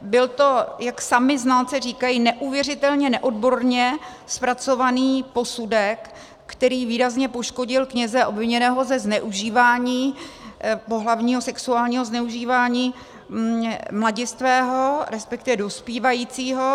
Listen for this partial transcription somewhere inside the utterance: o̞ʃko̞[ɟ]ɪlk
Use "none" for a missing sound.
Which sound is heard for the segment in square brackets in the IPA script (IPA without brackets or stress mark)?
ɟ